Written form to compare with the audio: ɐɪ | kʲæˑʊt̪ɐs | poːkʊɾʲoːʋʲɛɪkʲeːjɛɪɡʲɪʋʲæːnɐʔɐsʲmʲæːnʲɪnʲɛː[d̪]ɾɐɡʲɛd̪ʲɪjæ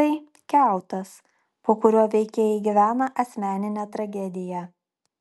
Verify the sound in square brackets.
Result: incorrect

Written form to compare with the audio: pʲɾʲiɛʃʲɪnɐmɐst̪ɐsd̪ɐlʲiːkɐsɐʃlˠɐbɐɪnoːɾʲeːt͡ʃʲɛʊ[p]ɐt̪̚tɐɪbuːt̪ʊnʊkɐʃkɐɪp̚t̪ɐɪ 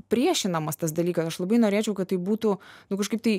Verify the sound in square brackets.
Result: incorrect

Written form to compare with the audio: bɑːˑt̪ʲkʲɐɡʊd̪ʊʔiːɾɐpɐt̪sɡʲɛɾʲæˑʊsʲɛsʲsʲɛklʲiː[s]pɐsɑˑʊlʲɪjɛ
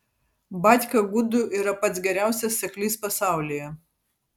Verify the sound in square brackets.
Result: correct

